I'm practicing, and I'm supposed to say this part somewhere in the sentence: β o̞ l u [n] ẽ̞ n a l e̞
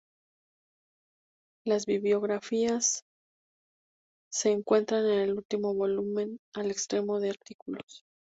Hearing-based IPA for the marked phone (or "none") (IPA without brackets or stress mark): m